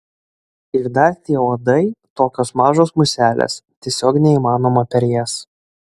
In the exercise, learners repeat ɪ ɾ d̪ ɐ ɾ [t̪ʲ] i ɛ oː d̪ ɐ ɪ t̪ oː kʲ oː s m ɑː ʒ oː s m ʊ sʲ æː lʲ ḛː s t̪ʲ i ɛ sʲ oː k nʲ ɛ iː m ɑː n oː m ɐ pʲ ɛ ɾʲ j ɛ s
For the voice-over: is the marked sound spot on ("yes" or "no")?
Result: yes